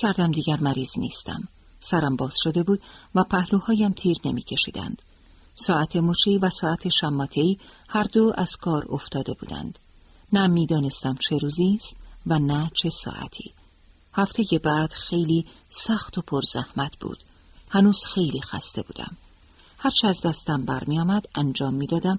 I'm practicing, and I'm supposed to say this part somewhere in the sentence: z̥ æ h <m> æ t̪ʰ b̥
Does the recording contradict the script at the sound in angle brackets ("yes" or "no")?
no